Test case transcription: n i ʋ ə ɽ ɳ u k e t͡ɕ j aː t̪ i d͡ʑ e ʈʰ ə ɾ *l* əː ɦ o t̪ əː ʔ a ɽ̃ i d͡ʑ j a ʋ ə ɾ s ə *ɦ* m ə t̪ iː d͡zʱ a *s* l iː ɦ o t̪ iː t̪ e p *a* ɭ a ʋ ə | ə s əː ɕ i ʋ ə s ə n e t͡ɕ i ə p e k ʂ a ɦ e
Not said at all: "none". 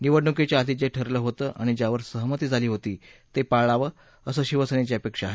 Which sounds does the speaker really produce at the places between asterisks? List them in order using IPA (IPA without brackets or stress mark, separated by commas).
l, ɦ, none, a